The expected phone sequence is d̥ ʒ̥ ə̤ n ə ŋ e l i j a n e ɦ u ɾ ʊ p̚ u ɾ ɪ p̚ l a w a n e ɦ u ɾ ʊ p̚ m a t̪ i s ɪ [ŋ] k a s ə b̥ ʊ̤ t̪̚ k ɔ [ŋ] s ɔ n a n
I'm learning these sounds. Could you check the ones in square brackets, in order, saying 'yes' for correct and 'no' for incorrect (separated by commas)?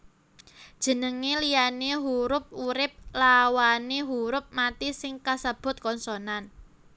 yes, no